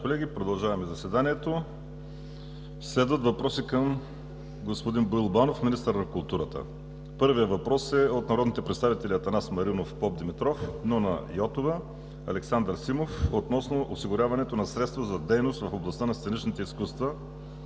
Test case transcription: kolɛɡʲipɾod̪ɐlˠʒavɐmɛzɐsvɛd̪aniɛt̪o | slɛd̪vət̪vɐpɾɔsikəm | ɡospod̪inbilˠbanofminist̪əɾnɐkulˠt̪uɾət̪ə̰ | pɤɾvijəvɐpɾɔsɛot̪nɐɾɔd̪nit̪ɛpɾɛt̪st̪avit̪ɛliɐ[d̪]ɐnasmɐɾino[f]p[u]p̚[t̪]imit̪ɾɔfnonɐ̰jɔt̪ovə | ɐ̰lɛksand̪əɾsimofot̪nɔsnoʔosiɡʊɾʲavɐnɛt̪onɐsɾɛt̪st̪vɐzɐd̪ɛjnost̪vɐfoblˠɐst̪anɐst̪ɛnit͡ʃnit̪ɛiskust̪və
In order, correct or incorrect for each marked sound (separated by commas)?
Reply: incorrect, correct, incorrect, incorrect